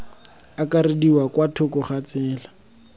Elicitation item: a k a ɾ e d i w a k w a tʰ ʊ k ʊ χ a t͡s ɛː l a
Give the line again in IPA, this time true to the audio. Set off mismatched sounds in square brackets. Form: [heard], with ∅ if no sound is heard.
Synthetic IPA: a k a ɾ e d i w a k w a tʰ ʊ k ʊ χ a t͡s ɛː l a